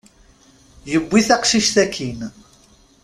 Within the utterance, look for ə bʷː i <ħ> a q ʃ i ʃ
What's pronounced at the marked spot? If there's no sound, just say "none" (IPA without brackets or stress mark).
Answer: θ